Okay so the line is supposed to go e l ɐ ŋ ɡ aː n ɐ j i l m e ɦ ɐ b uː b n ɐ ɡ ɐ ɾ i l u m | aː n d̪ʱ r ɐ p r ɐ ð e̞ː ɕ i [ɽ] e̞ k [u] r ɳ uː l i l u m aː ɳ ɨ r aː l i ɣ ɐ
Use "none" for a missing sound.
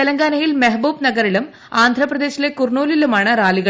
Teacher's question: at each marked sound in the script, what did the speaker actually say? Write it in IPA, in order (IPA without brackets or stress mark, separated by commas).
l, u